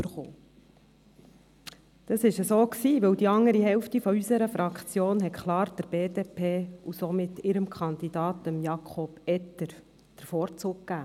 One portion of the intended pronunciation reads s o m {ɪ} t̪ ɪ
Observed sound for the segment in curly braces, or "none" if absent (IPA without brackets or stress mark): ɪ